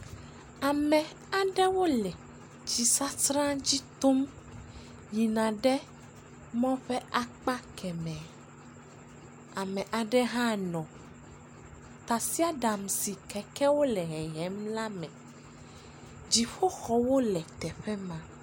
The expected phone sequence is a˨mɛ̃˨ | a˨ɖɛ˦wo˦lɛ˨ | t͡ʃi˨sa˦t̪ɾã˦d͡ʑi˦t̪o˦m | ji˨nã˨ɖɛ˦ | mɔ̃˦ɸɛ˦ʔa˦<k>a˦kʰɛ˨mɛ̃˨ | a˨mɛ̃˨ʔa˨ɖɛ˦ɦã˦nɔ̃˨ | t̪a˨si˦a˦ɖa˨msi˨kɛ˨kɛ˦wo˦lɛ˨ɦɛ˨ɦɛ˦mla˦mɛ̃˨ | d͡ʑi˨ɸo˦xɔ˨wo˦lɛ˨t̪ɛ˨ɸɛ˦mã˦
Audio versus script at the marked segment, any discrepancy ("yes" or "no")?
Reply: yes